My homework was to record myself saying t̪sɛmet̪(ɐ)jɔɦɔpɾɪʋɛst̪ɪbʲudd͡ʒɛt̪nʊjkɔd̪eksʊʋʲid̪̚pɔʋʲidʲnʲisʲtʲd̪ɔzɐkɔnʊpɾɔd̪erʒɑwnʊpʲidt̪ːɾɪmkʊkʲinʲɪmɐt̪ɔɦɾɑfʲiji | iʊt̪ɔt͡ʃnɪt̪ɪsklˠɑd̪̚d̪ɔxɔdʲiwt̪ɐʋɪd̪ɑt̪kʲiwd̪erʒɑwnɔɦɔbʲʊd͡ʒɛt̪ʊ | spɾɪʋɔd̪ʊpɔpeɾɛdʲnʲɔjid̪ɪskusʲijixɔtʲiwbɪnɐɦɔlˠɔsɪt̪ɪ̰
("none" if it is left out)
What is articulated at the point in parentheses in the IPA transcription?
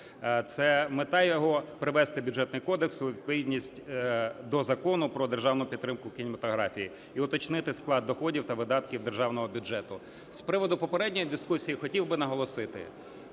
ɑ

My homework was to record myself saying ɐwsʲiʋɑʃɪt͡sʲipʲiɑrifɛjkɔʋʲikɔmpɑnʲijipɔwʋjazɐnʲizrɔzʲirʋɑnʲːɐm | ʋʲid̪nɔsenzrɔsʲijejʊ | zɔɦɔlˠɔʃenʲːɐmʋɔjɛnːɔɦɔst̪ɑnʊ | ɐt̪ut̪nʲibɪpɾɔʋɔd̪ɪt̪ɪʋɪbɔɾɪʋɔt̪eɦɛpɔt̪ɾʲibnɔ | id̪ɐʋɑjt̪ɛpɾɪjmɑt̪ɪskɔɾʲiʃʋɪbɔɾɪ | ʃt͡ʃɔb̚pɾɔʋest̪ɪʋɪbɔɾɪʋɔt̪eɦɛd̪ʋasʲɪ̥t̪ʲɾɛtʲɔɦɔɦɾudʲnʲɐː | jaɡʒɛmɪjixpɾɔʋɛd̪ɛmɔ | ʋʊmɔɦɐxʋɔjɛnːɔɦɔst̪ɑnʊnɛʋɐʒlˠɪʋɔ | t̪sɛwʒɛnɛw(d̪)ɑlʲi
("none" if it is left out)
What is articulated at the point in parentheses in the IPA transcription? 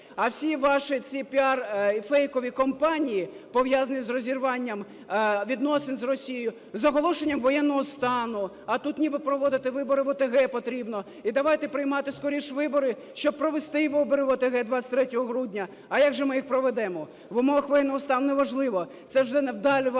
d̪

